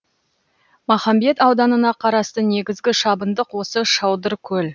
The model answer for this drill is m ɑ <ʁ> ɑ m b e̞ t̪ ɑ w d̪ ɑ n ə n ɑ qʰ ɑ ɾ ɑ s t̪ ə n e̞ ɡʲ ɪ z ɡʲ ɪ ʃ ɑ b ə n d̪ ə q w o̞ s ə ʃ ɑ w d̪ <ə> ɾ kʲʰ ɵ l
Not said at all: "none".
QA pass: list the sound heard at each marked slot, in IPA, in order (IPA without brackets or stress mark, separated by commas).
χ, ə